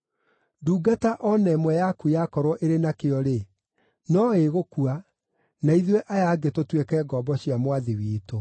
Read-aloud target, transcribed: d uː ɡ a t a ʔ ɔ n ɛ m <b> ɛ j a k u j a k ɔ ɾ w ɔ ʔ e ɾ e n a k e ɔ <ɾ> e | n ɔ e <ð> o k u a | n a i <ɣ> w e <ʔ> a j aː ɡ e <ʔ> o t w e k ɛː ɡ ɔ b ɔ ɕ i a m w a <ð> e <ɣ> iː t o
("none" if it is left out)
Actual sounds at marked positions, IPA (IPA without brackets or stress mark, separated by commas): w, ɾ, ɣ, ð, ʔ, t, ð, w